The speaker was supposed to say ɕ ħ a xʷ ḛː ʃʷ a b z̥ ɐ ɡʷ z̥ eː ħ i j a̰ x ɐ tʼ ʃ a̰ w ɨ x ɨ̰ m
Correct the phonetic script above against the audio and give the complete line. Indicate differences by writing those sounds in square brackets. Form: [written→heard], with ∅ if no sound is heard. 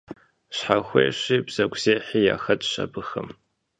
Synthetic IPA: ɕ ħ a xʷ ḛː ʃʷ [a→i] b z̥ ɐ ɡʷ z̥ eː ħ i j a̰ x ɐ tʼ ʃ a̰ [w→b] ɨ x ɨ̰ m